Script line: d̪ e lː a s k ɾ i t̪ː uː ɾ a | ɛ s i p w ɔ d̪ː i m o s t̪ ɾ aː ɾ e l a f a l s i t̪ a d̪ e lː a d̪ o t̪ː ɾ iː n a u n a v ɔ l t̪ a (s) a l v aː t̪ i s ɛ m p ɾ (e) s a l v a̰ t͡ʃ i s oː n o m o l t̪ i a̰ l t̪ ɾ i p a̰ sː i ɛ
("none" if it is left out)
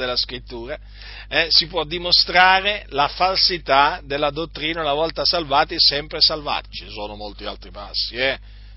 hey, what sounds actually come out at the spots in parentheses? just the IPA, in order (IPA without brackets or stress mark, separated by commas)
s, e